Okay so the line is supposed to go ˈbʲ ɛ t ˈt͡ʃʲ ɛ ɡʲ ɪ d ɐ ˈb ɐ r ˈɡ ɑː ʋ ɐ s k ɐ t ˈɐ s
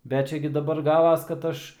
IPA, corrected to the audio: ˈbʲ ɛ t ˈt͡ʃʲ ɛ ɡʲ ɪ d ɐ ˈb ɐ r ˈɡ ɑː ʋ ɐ s k ɐ t ˈɐ ʃ